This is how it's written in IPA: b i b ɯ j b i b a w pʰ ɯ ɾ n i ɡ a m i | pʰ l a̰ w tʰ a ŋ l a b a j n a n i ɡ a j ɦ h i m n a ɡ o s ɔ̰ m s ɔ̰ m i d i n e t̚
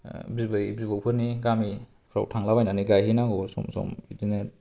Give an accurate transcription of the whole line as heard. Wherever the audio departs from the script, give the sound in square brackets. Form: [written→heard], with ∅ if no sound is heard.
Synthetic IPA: b i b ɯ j b i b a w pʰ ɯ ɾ n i ɡ a m i | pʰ [l→ɾ] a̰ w tʰ a ŋ l a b a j n a n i ɡ a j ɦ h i [m→∅] n a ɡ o s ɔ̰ m s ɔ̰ m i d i n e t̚